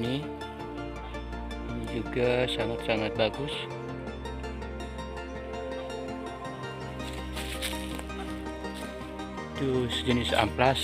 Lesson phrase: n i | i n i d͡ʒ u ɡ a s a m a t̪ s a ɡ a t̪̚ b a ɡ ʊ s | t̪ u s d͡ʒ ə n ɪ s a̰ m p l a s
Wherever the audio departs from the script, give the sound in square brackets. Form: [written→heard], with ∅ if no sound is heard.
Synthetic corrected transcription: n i | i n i d͡ʒ u ɡ a s a [m→ŋ] a t̪ s a [ɡ→ŋ] a t̪̚ b a ɡ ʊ s | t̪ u s d͡ʒ ə n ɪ s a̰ m p l a s